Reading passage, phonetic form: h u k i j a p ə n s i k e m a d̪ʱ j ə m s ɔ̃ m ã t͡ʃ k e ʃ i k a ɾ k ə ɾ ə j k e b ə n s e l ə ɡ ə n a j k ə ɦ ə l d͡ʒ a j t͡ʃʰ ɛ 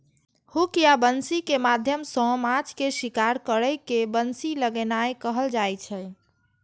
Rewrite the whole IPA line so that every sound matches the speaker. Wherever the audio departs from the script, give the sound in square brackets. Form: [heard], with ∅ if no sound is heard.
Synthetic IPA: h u k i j a [b] ə n s i k e m a d̪ʱ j ə m s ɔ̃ m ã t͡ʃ k e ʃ i k a ɾ k ə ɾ ə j k e b ə n s [i] l ə ɡ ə n a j k ə ɦ ə l d͡ʒ a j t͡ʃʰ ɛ